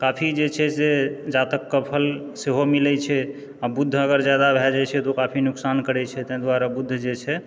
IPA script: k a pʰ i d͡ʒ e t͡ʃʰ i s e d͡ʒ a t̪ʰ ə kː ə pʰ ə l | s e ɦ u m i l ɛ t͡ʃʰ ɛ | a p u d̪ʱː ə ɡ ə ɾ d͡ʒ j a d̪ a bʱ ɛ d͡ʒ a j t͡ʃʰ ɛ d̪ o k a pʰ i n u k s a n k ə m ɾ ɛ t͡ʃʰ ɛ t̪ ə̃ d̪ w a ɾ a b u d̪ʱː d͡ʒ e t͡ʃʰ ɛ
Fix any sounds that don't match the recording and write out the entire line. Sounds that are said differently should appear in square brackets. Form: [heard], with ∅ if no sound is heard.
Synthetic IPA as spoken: k a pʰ i d͡ʒ e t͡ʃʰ [ɛ] s e d͡ʒ a [t̪] ə kː ə pʰ ə l | s e ɦ [o] m i l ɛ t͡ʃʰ ɛ | a [b] u d̪ʱː ə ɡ ə ɾ d͡ʒ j a d̪ a bʱ ɛ d͡ʒ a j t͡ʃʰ ɛ [t̪] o k a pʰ i n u k s a n k ə [∅] ɾ ɛ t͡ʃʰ ɛ t̪ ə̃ d̪ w a ɾ a b u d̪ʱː d͡ʒ e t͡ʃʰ ɛ